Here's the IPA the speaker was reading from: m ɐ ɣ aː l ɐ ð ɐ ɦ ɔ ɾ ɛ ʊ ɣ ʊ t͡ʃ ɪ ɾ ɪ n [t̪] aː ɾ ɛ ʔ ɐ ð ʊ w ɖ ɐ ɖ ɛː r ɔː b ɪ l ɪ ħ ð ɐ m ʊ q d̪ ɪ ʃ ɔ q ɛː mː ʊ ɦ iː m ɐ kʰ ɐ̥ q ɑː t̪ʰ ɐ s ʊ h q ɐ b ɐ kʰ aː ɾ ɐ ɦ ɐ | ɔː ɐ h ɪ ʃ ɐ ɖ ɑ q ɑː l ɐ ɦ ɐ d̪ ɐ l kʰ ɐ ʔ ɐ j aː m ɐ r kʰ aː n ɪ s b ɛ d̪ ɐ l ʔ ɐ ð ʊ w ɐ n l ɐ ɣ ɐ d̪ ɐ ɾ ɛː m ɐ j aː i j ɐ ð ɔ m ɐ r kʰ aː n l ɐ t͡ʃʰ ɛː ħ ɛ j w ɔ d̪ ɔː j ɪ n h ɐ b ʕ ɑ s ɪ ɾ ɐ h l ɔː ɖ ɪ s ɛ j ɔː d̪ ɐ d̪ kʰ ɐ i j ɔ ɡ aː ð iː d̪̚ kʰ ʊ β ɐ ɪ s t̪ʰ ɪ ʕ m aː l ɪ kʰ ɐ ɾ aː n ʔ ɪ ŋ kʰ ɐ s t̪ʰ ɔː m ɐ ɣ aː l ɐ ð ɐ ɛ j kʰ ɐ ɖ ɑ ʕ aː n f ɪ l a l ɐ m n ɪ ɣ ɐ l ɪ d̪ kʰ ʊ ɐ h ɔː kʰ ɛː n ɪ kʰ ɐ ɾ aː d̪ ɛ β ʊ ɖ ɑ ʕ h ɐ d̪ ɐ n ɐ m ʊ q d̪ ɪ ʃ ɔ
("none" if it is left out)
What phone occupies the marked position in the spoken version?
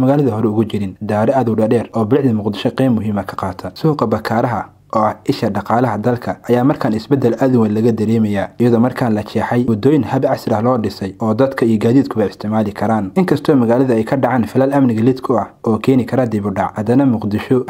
d̪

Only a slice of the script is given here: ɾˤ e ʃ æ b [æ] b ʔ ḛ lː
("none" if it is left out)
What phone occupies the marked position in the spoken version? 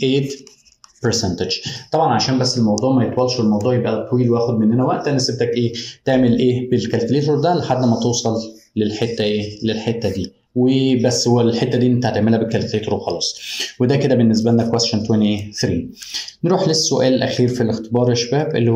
æː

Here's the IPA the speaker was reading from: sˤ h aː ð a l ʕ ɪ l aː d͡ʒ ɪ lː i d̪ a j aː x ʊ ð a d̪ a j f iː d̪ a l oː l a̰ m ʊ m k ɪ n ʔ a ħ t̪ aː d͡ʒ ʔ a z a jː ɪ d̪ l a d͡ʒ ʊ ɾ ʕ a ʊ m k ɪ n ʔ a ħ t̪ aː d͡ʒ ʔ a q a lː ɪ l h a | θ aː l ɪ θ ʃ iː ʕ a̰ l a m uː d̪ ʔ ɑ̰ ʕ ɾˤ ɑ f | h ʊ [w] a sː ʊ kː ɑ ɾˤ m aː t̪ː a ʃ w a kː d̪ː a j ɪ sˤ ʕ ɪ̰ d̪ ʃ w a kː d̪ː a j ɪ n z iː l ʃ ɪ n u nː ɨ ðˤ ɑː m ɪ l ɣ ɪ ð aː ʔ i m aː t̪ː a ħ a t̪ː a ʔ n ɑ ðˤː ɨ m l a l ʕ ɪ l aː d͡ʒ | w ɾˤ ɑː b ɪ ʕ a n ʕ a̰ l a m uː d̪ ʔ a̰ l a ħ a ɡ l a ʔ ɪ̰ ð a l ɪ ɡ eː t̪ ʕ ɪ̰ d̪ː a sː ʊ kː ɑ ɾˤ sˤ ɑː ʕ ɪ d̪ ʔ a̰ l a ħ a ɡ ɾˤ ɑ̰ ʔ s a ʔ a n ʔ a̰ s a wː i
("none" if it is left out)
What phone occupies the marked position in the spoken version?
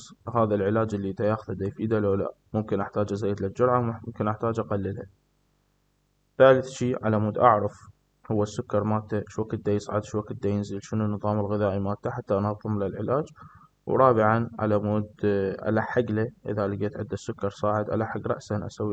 wː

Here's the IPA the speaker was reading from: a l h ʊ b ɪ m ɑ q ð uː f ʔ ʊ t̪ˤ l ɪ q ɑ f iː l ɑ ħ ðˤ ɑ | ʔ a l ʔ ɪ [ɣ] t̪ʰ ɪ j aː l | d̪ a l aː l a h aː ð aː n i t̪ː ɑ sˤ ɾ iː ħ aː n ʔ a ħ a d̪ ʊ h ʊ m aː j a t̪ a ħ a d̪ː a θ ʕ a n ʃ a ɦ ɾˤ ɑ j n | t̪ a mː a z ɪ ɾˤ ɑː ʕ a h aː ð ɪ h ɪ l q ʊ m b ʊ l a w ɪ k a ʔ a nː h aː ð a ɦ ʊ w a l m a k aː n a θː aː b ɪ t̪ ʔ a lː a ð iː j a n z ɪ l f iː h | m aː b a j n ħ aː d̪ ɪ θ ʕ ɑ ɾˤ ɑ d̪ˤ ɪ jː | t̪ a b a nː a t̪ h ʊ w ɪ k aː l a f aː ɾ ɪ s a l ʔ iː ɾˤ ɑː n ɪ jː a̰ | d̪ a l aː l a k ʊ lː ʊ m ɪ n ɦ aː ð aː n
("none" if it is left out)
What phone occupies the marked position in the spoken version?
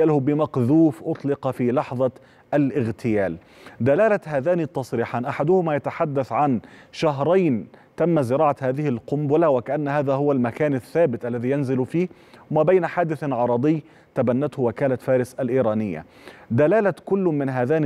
ɣ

